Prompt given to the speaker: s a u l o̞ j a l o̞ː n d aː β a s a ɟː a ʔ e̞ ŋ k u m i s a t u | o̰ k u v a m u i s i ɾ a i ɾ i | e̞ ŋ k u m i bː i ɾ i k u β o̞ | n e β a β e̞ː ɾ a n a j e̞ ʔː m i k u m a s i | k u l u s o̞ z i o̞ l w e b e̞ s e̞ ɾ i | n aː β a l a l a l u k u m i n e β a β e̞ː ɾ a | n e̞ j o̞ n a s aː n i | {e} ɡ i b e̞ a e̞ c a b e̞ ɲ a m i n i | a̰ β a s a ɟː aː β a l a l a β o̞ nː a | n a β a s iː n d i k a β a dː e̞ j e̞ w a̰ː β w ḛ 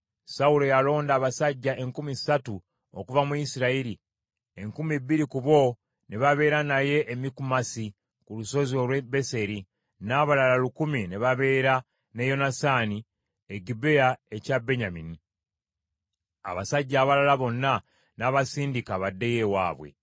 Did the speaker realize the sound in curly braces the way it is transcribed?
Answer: yes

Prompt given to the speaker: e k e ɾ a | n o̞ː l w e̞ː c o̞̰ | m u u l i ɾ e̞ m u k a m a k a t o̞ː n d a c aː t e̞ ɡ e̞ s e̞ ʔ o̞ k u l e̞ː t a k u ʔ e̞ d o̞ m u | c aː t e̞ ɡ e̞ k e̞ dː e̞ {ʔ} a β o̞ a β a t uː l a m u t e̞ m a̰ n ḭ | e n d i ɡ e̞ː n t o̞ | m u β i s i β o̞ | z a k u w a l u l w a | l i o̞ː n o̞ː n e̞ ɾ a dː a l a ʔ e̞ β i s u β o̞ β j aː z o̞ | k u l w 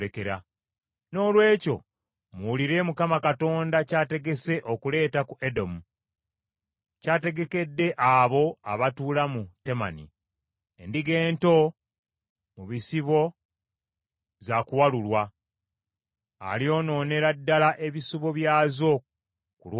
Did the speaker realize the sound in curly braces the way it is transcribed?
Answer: yes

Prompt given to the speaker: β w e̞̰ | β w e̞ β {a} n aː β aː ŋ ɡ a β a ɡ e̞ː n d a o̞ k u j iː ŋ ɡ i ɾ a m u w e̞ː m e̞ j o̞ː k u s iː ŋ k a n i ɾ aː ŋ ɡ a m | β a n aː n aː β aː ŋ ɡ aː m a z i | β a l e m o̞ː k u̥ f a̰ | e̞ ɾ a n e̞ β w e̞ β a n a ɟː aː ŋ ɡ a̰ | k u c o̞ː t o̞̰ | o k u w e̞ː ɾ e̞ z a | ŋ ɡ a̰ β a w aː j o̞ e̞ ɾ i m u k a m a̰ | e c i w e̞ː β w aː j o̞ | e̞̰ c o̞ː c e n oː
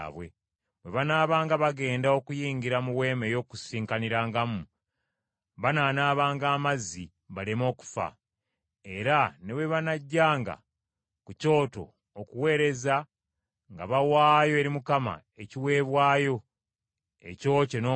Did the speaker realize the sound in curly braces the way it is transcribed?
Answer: yes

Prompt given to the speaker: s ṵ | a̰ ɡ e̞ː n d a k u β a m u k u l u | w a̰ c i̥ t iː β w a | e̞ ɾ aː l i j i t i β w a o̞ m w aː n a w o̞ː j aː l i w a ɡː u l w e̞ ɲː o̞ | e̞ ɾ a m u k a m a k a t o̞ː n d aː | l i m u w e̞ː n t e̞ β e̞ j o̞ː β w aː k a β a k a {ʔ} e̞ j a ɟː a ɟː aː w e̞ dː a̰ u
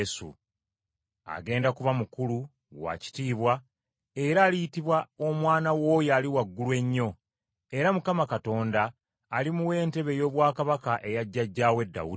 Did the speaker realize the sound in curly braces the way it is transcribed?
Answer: yes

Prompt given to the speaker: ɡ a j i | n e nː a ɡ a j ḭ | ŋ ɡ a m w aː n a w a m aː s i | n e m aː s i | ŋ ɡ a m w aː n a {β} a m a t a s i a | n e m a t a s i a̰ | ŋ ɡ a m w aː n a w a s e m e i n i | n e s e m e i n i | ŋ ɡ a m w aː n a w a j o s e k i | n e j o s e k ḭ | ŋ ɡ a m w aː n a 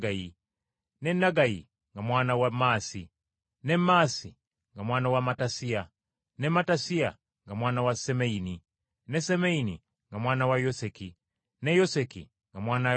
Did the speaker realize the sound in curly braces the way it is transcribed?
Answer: no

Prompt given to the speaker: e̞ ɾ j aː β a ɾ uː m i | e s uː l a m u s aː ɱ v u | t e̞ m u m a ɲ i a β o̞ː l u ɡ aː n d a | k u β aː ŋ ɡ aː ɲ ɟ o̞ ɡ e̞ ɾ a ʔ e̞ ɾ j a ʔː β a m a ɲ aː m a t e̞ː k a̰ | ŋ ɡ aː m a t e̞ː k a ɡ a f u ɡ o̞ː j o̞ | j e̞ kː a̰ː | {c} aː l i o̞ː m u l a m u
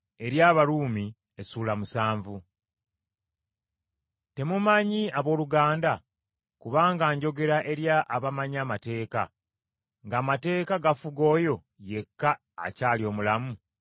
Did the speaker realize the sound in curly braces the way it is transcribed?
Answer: yes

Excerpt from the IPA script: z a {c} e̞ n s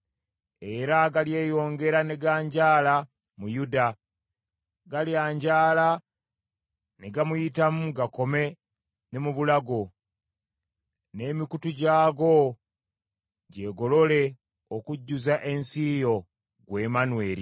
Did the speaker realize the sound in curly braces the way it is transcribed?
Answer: no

